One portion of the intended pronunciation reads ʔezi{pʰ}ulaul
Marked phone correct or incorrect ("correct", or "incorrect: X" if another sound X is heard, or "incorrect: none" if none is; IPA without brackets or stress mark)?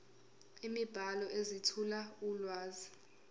incorrect: tʰ